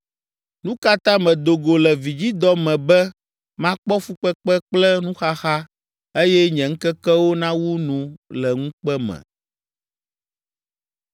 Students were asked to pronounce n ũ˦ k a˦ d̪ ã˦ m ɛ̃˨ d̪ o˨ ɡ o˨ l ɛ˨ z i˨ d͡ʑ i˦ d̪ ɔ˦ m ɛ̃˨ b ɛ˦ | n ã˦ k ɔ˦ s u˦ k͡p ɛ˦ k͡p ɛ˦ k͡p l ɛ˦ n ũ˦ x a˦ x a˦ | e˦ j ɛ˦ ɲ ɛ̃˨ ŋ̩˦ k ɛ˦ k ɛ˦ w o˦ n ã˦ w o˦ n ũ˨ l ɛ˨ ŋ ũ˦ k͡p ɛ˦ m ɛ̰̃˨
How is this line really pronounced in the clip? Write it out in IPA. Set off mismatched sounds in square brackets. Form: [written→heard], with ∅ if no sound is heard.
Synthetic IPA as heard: n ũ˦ k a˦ [d̪→t̪] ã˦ m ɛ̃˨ d̪ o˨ ɡ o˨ l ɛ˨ [z→v] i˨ d͡ʑ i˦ d̪ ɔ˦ m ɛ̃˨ b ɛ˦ | [n→m] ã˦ [k→k͡p] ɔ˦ [s→f] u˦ k͡p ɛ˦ k͡p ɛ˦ k͡p l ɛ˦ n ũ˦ x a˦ x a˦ | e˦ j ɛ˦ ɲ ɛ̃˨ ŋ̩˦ k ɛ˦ k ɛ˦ w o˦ n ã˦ w [o˦→u˦] n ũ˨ l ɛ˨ ŋ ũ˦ k͡p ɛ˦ m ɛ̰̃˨